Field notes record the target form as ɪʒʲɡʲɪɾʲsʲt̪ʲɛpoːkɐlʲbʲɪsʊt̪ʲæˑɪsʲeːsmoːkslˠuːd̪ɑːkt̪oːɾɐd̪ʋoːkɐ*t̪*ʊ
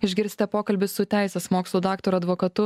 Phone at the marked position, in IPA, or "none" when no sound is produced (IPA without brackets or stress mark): t̪